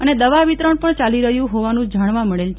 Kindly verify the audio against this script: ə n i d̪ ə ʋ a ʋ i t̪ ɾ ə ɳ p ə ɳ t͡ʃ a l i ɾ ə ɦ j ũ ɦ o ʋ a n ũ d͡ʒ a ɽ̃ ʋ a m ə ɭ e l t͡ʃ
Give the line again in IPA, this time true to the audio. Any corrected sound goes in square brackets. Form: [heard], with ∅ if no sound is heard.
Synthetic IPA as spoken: ə n [e] d̪ ə ʋ a ʋ i t̪ ɾ ə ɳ p ə ɳ t͡ʃ a l i ɾ ə ɦ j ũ ɦ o ʋ a n ũ d͡ʒ a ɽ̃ ʋ a m ə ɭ e l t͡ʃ